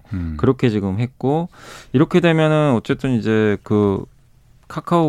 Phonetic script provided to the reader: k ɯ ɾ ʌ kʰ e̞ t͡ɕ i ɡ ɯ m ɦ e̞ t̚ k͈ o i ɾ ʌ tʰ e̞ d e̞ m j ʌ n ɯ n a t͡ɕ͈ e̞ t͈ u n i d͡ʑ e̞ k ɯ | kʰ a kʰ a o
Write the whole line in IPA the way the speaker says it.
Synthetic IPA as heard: k ɯ ɾ ʌ kʰ e̞ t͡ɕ i ɡ ɯ m ɦ e̞ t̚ k͈ o i ɾ ʌ kʰ e̞ d e̞ m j ʌ n ɯ n ʌ t͡ɕ͈ e̞ t͈ ɯ n i d͡ʑ e̞ k ɯ | kʰ a kʰ a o